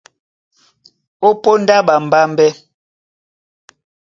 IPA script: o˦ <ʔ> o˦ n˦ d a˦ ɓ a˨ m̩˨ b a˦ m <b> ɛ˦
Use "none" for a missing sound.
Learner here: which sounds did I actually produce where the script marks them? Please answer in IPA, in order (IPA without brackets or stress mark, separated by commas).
p, b